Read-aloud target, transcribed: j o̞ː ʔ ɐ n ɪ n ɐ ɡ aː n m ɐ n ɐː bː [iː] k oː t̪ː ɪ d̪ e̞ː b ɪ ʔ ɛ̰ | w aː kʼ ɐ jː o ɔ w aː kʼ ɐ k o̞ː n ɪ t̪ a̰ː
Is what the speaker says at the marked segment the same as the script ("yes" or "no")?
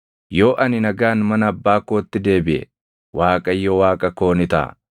no